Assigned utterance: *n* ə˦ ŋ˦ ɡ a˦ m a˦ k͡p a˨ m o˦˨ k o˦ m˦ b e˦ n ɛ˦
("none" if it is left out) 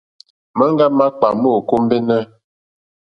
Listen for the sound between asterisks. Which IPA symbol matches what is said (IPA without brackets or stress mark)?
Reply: m